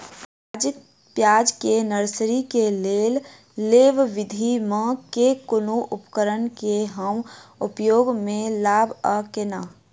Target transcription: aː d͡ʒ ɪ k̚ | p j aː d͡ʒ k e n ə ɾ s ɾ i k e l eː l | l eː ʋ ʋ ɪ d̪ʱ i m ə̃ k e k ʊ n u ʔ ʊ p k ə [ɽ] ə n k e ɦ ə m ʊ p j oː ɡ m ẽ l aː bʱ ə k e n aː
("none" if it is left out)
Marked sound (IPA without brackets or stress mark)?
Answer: ɾ